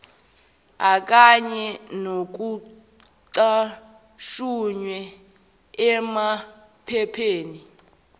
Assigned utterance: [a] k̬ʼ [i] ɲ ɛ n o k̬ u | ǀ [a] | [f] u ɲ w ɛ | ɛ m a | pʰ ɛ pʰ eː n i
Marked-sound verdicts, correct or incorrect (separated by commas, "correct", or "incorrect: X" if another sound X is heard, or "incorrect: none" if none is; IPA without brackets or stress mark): correct, incorrect: a, correct, incorrect: ʃ